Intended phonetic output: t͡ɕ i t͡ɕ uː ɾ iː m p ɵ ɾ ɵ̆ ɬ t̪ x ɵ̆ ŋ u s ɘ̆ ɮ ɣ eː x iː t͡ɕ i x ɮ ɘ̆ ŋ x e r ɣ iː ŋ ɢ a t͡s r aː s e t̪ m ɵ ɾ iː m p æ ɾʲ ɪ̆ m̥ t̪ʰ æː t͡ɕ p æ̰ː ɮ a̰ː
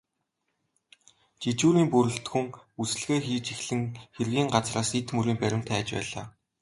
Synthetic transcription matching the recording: t͡ɕ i t͡ɕ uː ɾ iː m p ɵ ɾ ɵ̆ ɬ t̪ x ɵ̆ ŋ u s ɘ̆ ɮ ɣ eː x iː t͡ɕ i x ɮ ɘ̆ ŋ x e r ɣ iː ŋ ɢ a t͡s r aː s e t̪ m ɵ ɾ iː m p æ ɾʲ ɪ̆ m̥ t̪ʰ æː t͡ɕ p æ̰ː ɮ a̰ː